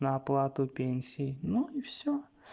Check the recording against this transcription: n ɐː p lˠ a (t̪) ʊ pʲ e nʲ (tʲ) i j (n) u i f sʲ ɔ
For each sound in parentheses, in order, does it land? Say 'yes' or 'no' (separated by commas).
yes, no, yes